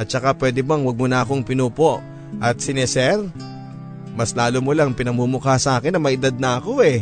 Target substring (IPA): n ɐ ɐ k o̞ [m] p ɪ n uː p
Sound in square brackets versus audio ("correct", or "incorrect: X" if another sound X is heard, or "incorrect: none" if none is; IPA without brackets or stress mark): incorrect: ŋ